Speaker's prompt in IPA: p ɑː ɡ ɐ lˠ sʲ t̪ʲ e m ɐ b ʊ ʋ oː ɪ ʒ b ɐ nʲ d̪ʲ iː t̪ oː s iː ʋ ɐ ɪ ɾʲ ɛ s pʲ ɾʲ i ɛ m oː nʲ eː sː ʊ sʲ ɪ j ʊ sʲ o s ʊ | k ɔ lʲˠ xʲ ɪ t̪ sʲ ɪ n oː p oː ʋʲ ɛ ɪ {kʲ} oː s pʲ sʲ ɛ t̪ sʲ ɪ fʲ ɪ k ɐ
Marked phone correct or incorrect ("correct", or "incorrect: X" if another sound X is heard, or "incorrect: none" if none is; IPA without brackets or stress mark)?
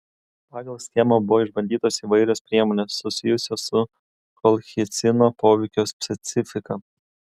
correct